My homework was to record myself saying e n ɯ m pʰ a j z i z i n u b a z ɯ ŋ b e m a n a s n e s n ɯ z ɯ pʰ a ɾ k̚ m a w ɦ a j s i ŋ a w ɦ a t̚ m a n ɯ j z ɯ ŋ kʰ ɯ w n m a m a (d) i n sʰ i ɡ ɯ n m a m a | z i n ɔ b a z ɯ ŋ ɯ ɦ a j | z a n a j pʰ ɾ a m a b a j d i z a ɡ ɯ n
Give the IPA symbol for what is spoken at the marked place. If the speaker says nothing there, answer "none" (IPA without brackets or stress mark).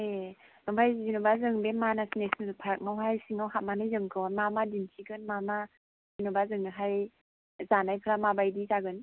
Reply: d